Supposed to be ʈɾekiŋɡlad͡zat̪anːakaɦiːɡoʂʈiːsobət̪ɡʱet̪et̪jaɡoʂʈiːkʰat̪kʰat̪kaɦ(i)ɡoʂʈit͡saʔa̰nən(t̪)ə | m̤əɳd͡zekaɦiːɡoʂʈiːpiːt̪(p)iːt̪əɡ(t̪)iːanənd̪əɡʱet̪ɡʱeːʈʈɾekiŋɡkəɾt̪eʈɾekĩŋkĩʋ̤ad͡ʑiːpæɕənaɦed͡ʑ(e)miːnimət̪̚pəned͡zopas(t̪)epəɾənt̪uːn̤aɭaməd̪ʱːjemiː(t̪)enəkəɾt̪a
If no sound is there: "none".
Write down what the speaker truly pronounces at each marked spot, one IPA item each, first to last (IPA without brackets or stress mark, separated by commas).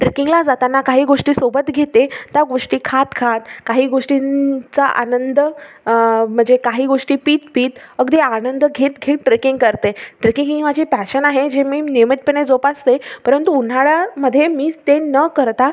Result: iː, d̪, p, d̪, e, t̪, t̪